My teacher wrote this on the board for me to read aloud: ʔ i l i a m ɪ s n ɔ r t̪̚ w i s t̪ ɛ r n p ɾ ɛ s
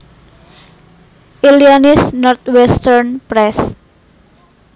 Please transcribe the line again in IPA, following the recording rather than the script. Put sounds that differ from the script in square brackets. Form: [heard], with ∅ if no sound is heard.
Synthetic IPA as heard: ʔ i l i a [n] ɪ s n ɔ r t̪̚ w [ɛ] s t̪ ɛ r n p ɾ ɛ s